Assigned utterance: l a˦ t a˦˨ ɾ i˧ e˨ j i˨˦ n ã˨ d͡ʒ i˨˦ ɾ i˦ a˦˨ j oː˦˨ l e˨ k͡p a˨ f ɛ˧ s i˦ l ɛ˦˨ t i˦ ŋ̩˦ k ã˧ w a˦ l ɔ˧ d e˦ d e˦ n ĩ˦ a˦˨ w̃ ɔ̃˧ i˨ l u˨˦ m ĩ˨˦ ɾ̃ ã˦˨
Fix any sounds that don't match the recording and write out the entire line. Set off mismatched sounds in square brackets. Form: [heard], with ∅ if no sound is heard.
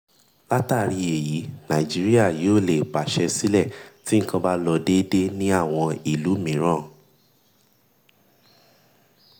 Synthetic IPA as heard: l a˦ t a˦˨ ɾ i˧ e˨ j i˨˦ n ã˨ d͡ʒ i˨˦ ɾ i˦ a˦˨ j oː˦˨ l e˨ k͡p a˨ [ʃ] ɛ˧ s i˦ l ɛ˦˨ t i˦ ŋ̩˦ k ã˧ [b] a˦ l ɔ˧ d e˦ d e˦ n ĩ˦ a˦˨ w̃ ɔ̃˧ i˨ l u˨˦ m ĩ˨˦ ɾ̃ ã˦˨